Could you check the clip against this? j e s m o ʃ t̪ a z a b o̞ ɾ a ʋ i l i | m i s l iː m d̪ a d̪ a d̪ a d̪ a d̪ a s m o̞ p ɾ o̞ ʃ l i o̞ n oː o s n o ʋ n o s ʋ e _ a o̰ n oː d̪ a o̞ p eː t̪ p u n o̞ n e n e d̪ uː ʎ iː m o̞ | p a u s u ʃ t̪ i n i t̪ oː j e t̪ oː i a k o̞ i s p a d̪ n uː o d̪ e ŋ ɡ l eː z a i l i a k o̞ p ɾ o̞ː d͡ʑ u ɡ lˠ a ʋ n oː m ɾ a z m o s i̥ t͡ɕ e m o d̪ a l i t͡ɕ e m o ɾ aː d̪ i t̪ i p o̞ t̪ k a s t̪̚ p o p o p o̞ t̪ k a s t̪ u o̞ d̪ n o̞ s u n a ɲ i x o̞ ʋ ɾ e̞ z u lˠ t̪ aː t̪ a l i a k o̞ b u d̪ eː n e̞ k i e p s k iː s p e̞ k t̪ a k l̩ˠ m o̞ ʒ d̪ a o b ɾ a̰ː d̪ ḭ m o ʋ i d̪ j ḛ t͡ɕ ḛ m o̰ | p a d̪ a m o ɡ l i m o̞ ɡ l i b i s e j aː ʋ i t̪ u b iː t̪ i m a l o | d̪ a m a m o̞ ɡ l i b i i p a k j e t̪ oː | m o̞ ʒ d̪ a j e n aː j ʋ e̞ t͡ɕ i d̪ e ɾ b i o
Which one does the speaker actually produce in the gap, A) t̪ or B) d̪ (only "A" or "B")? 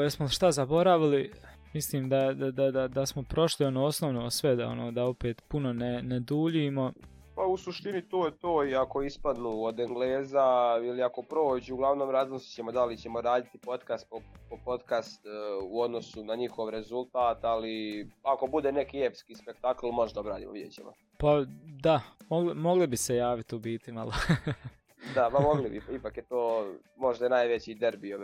B